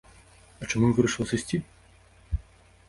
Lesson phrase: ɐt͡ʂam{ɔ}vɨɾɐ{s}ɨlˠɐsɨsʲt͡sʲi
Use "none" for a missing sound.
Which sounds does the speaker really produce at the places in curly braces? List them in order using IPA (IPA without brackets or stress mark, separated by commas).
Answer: u, ʂ